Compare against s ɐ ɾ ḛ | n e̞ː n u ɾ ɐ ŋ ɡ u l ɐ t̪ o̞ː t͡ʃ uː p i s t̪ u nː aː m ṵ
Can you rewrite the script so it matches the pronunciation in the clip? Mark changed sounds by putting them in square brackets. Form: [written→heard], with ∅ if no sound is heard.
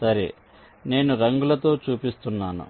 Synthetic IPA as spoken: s ɐ ɾ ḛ | n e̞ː n u ɾ ɐ ŋ ɡ u l ɐ t̪ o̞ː t͡ʃ uː p i s t̪ u nː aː [m→n] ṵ